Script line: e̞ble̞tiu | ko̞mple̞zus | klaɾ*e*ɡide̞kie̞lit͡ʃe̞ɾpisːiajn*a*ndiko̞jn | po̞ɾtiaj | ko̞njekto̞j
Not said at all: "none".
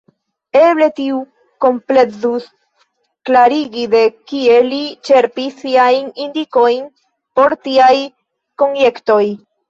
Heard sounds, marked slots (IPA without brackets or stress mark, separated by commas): i, i